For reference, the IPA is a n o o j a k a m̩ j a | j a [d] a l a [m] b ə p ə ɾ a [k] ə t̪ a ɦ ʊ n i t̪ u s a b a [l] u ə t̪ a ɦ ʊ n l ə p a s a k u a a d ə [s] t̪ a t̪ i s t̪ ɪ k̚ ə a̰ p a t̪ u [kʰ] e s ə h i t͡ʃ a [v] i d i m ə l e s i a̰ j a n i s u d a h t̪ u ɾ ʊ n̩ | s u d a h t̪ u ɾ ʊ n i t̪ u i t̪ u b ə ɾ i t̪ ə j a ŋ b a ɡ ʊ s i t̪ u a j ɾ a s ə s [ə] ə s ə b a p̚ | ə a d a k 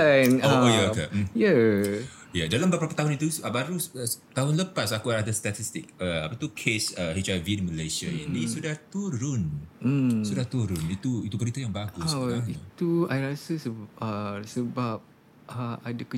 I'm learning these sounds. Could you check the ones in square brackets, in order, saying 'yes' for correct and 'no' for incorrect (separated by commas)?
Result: yes, yes, no, no, yes, yes, yes, yes